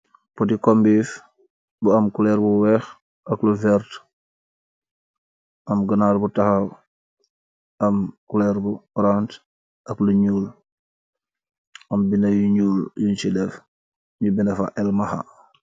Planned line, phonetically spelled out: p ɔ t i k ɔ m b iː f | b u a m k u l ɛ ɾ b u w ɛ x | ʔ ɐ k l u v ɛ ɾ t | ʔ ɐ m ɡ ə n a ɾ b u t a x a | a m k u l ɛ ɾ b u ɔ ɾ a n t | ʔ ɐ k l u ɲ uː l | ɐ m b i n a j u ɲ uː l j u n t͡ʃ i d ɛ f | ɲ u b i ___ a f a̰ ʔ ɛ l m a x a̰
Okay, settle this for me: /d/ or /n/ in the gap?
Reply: n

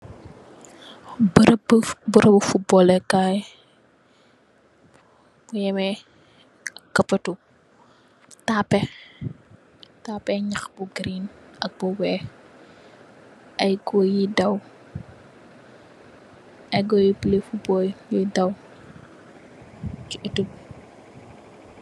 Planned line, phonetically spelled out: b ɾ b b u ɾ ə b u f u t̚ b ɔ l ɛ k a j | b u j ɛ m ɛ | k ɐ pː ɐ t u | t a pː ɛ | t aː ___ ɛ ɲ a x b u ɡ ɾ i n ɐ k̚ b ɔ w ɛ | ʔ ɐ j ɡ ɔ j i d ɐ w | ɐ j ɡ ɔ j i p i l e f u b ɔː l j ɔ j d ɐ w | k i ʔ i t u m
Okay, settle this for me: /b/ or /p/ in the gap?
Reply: p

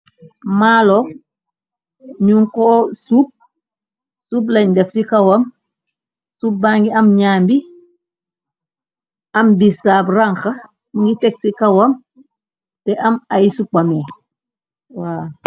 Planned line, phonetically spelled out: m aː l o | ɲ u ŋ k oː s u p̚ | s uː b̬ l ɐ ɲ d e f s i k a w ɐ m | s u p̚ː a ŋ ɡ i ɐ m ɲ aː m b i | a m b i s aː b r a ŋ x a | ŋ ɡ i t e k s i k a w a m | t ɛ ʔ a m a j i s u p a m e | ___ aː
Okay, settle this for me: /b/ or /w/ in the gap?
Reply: w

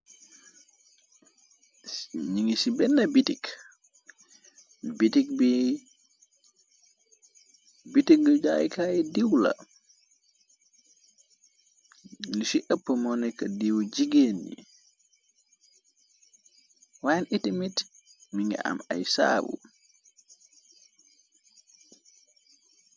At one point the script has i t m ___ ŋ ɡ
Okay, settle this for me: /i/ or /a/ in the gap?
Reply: i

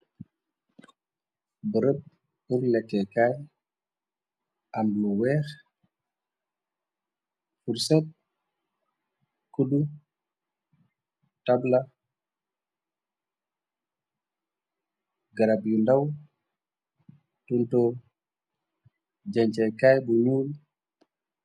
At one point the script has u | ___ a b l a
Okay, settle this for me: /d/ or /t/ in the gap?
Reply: t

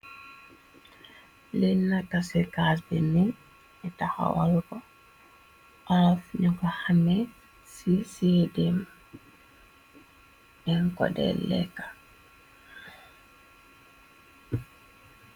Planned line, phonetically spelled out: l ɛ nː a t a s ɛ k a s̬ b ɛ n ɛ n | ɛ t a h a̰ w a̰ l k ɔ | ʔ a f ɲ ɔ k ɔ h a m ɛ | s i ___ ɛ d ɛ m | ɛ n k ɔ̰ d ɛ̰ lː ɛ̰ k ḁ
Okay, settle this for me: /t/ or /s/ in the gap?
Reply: s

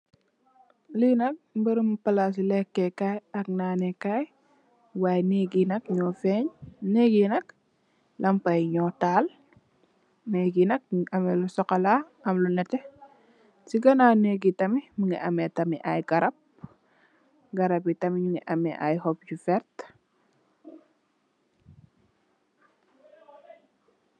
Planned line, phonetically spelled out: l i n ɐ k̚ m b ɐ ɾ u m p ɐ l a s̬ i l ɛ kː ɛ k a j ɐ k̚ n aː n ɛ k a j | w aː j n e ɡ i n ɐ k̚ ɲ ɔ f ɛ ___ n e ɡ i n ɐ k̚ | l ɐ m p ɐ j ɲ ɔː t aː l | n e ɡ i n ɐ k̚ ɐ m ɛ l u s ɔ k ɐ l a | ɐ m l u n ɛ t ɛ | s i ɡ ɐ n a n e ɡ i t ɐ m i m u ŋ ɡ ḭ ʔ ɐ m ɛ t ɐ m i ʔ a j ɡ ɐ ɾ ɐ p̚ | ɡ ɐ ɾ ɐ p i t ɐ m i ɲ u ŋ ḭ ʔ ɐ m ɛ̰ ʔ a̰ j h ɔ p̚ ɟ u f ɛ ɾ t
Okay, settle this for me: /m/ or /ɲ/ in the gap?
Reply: ɲ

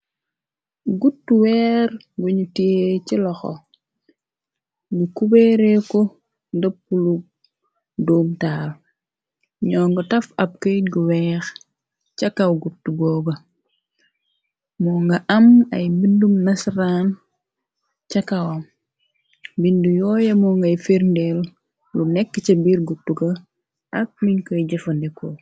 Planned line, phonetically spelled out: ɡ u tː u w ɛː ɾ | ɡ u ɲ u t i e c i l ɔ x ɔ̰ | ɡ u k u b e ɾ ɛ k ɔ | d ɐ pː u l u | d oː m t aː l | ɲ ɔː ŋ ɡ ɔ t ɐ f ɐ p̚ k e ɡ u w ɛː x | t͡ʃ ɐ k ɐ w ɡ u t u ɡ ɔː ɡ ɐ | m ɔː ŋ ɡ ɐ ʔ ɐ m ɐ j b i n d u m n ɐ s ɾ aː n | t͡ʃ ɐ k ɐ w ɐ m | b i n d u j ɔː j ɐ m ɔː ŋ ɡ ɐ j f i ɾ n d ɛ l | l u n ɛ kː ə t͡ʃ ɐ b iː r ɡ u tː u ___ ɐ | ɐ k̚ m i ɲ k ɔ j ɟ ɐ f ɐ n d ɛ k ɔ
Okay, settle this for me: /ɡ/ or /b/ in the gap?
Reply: ɡ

